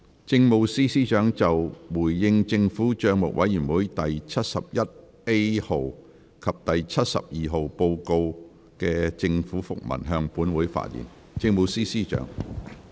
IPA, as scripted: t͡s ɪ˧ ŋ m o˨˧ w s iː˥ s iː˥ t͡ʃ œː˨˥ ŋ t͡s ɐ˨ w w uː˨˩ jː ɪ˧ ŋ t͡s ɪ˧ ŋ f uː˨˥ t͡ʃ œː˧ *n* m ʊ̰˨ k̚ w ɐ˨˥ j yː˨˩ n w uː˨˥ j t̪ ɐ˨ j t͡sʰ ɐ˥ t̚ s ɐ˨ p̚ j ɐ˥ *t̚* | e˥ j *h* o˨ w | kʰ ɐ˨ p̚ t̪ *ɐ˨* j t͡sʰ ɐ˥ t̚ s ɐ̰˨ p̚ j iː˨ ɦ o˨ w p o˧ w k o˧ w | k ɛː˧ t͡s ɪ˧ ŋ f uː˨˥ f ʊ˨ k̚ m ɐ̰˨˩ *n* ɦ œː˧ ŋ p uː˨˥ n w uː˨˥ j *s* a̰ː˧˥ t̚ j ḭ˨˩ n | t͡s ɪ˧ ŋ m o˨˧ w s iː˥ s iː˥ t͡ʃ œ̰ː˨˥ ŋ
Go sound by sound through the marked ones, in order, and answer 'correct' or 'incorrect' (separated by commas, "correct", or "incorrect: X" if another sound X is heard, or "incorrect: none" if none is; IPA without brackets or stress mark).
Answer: incorrect: ŋ, correct, correct, correct, correct, incorrect: f